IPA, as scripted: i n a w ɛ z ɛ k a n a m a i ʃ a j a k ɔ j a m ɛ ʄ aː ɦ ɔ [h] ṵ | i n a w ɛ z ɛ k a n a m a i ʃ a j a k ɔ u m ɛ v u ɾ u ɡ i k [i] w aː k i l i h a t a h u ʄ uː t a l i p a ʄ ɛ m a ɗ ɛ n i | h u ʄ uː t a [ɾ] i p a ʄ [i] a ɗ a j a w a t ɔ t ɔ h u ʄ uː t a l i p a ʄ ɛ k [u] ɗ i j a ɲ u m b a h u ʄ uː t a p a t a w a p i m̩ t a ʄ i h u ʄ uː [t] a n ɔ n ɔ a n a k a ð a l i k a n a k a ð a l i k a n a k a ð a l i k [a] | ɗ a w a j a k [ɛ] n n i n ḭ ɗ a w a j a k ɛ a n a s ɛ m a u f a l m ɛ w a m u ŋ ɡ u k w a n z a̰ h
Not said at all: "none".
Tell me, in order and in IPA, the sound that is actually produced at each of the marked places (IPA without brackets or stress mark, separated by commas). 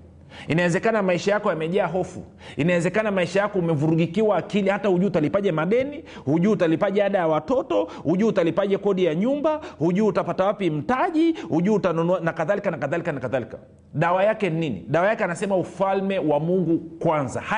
f, i, l, ɛ, ɔ, t, a, ɛ